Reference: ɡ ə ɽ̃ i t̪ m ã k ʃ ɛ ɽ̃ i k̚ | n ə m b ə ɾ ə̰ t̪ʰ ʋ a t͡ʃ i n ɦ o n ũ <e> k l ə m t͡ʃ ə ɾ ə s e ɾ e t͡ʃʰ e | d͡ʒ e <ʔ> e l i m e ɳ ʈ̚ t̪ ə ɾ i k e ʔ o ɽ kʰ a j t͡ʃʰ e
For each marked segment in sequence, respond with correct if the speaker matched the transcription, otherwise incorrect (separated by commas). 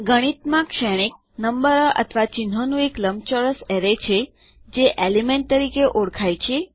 correct, correct